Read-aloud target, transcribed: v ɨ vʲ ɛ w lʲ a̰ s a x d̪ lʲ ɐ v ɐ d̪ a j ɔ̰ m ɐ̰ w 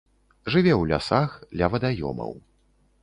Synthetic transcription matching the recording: ʐ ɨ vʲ ɛ w lʲ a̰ s a x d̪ lʲ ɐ v ɐ d̪ a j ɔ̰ m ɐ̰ w

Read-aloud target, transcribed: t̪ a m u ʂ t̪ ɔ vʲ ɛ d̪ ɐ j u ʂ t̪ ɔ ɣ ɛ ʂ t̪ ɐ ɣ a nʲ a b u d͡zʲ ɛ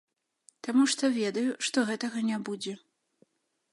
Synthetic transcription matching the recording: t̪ a m u ʂ t̪ ɔ vʲ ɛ d̪ ɐ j u ʂ t̪ ɔ ɣ ɛ t̪ ɐ ɣ ɐ nʲ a b u d͡zʲ ɛ

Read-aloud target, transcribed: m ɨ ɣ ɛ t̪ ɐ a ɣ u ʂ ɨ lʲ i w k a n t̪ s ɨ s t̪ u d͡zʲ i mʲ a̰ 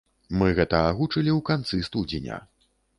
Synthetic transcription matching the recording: m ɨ ɣ ɛ t̪ ɐ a ɣ u t͡ʂ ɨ lʲ i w k a n t̪ s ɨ s t̪ u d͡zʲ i nʲ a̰

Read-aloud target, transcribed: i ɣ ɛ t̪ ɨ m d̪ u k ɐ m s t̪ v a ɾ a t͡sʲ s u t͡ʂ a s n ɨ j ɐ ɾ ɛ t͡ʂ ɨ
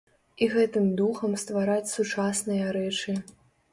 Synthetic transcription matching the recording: i ɣ ɛ t̪ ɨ m d̪ u x ɐ m s t̪ v a ɾ a t͡sʲ s u t͡ʂ a s n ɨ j ɐ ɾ ɛ t͡ʂ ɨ

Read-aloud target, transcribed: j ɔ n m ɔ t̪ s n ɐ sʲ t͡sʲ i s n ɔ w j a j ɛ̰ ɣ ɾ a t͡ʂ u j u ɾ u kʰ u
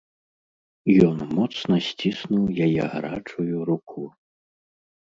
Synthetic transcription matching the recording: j ɔ n m ɔ t̪ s n ɐ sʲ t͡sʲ i s n u w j a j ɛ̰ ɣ ɾ a t͡ʂ u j u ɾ u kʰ u

